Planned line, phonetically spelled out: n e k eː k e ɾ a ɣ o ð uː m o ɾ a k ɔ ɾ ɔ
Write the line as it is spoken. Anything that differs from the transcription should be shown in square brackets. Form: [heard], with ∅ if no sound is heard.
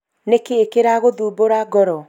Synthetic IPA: n e k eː k e ɾ a ɣ o ð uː [b] o ɾ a [ɡ] ɔ ɾ ɔ